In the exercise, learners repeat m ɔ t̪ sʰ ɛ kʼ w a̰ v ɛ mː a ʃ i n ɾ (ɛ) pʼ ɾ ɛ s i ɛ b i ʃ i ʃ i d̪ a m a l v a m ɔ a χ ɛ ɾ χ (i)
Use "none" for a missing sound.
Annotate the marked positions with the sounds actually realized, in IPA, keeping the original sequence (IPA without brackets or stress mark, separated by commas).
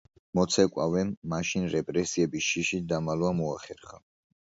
ɛ, a